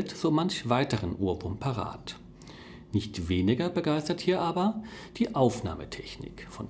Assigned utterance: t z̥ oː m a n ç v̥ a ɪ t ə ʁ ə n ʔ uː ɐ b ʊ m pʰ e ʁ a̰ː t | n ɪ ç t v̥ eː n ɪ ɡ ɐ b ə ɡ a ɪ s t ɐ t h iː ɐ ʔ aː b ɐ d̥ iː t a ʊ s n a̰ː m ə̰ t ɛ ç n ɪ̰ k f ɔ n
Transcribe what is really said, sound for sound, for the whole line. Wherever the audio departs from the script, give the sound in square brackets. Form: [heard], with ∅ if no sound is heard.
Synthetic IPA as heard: t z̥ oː m a n ç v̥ a ɪ t ə ʁ ə n ʔ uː ɐ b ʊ m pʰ [a] ʁ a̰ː t | n ɪ ç t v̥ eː n ɪ ɡ ɐ b ə ɡ a ɪ s t ɐ t h iː ɐ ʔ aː b ɐ d̥ iː [ʔ] a ʊ [f] n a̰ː m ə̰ [tʰ] ɛ ç n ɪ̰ k f ɔ n